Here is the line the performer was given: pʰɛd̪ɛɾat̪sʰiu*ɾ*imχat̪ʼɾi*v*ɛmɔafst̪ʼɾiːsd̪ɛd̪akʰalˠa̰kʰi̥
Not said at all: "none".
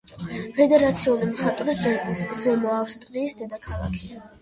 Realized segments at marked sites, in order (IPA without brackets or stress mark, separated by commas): l, z